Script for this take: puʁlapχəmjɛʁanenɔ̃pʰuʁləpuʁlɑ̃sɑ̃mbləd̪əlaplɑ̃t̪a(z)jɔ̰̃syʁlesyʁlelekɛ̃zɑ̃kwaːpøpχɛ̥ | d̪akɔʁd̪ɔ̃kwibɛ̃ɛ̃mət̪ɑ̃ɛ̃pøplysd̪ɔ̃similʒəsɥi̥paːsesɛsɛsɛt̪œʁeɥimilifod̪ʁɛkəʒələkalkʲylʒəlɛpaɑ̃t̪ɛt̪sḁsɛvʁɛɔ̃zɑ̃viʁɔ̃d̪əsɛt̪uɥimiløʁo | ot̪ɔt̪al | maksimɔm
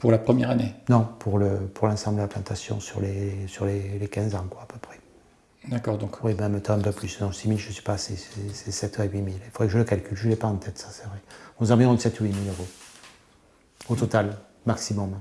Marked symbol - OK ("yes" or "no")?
no